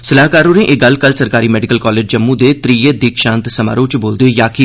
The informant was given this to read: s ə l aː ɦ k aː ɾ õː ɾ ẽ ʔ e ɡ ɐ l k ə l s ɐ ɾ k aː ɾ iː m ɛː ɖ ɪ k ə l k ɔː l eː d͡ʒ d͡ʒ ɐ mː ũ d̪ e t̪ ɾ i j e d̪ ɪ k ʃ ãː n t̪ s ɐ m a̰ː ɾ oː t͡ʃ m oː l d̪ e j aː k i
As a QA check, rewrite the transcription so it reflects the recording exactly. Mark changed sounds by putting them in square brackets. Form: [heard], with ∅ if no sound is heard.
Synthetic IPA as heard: s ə l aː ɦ k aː ɾ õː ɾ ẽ ʔ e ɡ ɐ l k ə l s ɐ ɾ k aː ɾ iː m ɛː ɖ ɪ k ə l k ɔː l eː d͡ʒ d͡ʒ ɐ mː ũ d̪ e t̪ ɾ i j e d̪ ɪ k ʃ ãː n t̪ s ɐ m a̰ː ɾ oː t͡ʃ [b] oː l d̪ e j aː k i